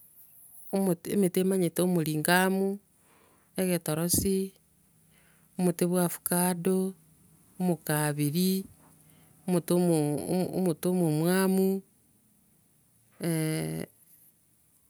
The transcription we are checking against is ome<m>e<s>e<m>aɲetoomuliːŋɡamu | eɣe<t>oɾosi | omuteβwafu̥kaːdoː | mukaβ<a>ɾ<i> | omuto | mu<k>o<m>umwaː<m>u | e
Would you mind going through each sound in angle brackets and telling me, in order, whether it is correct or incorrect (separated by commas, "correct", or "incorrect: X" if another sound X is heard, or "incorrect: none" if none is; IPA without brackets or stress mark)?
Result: correct, incorrect: t, correct, correct, incorrect: i, correct, incorrect: t, correct, correct